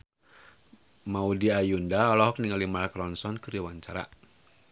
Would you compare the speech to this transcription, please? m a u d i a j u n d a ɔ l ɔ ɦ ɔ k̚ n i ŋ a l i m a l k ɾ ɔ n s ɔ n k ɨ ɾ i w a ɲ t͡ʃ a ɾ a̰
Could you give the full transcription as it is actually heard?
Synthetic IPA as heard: m a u d i a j u n d a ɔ l ɔ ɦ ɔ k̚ n i ŋ a l i m a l k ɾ ɔ n s ɔ n k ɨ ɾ i w a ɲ t͡ʃ a ɾ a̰